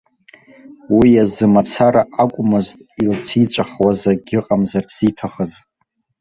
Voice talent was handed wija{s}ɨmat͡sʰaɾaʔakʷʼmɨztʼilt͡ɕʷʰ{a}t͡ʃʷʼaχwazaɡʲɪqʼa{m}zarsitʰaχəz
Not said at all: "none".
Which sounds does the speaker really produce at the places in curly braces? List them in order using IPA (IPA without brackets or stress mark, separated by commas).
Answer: z, i, m